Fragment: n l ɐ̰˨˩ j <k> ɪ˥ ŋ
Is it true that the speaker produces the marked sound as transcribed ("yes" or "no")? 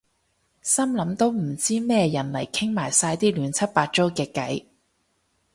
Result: no